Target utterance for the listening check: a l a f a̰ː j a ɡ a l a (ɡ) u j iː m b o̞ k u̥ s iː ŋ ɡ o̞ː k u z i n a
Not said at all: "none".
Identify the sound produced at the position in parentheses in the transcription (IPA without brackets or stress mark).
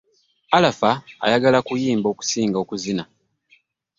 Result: k